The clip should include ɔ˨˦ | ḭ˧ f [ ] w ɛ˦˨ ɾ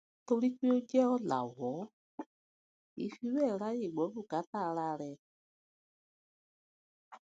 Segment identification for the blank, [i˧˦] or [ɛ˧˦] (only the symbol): i˧˦